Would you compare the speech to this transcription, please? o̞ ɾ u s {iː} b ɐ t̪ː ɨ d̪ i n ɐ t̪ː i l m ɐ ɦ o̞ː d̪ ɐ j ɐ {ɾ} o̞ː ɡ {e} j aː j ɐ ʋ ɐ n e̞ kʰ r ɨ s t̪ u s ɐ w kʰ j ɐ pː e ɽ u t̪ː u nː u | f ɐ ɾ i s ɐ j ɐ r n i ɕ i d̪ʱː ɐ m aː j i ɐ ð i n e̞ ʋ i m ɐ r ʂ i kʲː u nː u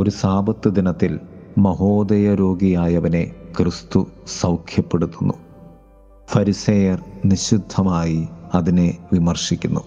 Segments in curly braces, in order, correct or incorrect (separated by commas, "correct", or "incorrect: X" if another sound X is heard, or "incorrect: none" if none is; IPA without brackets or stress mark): incorrect: aː, correct, incorrect: i